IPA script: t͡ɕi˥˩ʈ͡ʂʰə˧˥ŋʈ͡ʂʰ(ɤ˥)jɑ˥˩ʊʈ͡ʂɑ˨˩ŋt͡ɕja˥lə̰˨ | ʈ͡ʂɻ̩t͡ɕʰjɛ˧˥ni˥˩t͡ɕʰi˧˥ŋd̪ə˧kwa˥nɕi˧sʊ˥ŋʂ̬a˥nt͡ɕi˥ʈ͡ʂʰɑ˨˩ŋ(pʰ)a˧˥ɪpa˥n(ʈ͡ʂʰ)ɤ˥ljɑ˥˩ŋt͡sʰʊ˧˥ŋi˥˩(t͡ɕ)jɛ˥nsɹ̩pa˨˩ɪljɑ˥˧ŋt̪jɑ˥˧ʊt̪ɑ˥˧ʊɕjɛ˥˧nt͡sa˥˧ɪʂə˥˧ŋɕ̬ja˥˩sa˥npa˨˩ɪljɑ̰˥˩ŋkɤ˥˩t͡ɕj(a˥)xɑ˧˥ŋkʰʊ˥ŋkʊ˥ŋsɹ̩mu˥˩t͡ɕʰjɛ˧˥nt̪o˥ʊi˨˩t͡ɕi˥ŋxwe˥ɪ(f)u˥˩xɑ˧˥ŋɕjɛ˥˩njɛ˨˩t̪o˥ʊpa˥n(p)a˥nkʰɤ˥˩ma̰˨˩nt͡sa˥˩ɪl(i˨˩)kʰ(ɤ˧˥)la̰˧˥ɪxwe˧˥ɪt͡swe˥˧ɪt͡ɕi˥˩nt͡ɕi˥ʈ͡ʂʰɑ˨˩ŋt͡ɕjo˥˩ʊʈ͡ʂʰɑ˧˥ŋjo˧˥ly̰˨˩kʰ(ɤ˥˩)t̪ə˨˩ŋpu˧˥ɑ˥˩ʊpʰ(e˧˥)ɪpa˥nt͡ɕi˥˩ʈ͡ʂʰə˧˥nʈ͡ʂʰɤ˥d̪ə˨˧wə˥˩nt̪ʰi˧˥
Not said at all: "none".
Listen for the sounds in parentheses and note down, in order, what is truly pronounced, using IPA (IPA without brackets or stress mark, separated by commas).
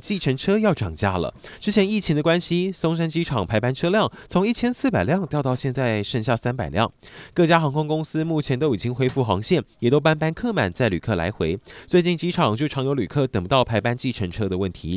ɤ˥, pʰ, ʈ͡ʂʰ, t͡ɕʰ, a˥, f, p, y˨˩, ɤ˥˩, ɤ˥˩, a˧˥